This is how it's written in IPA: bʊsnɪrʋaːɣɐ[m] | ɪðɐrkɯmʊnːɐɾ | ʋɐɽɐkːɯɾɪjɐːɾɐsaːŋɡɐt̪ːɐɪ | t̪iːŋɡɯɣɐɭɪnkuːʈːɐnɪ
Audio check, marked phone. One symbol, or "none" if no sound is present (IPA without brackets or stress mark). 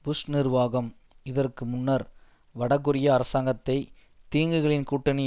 m